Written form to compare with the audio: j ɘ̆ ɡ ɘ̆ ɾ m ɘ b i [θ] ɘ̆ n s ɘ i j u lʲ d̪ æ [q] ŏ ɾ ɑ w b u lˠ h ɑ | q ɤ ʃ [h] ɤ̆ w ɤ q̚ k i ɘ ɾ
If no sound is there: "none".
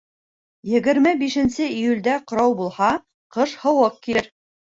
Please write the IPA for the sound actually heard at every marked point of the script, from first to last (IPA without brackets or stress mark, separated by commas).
ʃ, q, h